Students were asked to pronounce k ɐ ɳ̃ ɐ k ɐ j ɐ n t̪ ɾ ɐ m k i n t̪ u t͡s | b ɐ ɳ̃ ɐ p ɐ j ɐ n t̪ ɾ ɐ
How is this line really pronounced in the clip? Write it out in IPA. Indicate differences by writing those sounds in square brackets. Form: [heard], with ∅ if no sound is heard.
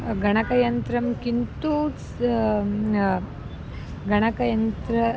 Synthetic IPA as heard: [ɡ] ɐ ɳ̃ ɐ k ɐ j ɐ n t̪ ɾ ɐ m k i n t̪ u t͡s | [ɡ] ɐ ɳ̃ ɐ [k] ɐ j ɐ n t̪ ɾ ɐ